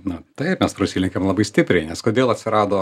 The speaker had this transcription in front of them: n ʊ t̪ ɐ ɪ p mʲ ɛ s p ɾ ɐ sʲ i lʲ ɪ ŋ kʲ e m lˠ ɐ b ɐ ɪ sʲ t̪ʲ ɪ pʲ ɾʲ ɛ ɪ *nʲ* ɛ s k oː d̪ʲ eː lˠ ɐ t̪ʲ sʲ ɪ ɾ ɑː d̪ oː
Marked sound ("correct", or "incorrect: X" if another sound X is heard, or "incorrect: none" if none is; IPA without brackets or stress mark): correct